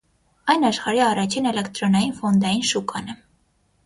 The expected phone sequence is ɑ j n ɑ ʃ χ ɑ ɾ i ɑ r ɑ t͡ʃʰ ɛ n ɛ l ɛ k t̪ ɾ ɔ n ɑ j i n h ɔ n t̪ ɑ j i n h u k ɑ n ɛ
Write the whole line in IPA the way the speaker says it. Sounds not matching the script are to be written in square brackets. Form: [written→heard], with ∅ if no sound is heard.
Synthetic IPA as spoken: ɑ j n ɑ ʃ χ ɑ ɾ i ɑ r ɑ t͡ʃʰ [ɛ→i] n ɛ l ɛ k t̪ ɾ ɔ n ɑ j i n [h→f] ɔ n [t̪→d̪] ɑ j i n [h→ʃ] u k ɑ n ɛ